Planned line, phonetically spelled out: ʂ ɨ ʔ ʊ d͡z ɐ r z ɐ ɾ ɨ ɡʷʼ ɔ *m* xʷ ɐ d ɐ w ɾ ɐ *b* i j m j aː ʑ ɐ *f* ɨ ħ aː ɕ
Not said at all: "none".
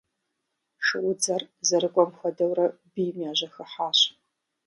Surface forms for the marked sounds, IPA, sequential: m, b, x

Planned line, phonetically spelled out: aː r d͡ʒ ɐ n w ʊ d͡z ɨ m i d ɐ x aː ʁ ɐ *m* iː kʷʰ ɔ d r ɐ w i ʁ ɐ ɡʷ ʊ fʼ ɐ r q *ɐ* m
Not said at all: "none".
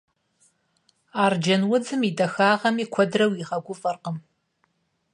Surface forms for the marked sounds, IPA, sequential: m, ə

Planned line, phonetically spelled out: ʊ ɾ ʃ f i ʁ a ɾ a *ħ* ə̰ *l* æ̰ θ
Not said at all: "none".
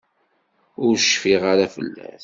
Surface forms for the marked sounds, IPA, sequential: f, lː

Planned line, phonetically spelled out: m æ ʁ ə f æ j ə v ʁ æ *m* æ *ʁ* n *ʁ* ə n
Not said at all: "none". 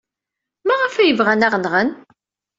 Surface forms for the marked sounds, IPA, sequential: n, ʁ, ʁ

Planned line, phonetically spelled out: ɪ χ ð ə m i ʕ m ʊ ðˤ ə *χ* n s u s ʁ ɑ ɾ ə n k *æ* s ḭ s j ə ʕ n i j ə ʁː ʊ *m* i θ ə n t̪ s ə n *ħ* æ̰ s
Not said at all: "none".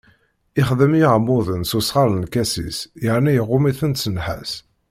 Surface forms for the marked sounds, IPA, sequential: none, æ, m, ħ

